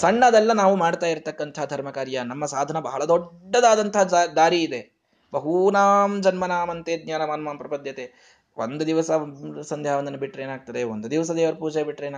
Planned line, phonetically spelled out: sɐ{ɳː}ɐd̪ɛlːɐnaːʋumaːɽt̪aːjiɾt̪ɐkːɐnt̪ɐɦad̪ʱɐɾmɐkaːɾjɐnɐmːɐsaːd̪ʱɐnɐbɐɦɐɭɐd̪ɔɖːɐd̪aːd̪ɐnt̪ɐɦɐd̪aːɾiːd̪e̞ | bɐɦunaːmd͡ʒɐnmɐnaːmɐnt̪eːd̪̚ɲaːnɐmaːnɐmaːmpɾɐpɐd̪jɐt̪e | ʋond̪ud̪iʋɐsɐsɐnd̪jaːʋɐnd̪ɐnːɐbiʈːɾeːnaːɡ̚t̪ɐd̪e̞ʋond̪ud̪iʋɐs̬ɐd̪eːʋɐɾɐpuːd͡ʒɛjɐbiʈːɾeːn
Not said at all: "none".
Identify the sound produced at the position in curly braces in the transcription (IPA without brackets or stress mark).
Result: ɳː